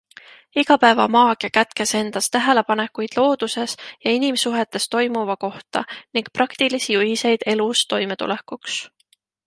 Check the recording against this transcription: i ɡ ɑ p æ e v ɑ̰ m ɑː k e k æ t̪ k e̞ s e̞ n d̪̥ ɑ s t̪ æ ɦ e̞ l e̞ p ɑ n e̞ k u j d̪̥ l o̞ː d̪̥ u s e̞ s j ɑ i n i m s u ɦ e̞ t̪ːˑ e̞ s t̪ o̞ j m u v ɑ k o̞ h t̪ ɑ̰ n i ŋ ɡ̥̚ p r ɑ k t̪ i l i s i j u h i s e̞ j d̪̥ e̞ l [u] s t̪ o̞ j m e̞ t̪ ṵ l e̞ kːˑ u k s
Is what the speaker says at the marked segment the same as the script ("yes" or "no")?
yes